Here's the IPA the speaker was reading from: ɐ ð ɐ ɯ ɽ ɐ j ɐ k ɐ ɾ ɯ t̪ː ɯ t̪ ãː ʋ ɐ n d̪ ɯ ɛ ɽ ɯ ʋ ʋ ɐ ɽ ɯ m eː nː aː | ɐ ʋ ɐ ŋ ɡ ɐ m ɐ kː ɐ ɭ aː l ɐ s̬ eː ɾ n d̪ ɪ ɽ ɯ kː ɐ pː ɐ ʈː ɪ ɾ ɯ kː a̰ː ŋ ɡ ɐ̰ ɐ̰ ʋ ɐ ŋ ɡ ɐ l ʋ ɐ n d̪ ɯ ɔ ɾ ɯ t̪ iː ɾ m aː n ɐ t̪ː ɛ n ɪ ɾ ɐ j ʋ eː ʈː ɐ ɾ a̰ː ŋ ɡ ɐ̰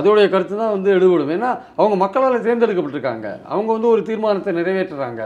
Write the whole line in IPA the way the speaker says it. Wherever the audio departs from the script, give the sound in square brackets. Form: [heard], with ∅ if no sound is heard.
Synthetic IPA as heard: ɐ ð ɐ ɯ ɽ ɐ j ɐ k ɐ ɾ ɯ t̪ː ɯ t̪ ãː ʋ ɐ n d̪ ɯ ɛ ɽ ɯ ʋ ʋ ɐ ɽ ɯ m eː nː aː | ɐ ʋ ɐ ŋ ɡ ɐ m ɐ kː ɐ ɭ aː l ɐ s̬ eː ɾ n d̪ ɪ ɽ ɯ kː ɐ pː ɐ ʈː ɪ ɾ ɯ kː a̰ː ŋ ɡ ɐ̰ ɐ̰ ʋ ɐ ŋ ɡ ɐ [∅] ʋ ɐ n d̪ ɯ ɔ ɾ ɯ t̪ iː ɾ m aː n ɐ t̪ː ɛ n ɪ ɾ ɐ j ʋ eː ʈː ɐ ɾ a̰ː ŋ ɡ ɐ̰